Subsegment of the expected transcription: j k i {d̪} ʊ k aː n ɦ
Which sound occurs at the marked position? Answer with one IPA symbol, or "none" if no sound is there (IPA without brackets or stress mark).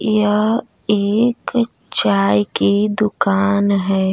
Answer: d̪